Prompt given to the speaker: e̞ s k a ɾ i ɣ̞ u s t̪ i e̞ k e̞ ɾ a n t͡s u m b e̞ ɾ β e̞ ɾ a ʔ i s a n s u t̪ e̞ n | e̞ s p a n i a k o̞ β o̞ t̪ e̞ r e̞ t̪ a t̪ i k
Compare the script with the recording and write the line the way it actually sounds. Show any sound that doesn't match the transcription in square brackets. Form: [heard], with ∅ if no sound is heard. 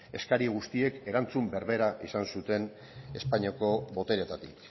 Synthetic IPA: e̞ s k a ɾ i ɣ̞ u s t̪ i e̞ k e̞ ɾ a n t͡s u m b e̞ ɾ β e̞ ɾ a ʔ i s a n s u t̪ e̞ n | e̞ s p a [ɲ] i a k o̞ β o̞ t̪ e̞ [ɾ] e̞ t̪ a t̪ i k